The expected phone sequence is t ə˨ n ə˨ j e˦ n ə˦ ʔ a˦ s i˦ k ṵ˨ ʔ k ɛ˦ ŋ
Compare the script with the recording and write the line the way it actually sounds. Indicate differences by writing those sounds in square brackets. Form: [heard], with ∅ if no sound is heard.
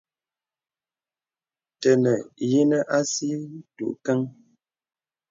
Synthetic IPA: t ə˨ n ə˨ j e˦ n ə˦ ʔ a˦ s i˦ [t] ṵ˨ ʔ k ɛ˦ ŋ